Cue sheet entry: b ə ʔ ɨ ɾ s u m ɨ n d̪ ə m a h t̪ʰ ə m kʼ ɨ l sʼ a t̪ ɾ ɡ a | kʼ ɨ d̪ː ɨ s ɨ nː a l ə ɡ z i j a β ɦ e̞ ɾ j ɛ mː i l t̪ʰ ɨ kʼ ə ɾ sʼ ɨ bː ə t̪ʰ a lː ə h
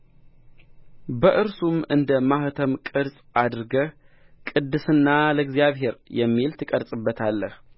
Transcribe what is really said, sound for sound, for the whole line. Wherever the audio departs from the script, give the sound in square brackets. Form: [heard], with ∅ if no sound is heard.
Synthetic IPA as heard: b ə ʔ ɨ ɾ s u m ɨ n d̪ ə m a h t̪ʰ ə m kʼ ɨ [ɾ] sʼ a [d̪] ɾ ɡ [ə] | kʼ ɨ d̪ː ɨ s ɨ nː a l ə ɡ z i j a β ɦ e̞ ɾ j ɛ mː i l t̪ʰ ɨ kʼ ə ɾ sʼ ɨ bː ə t̪ʰ a lː ə h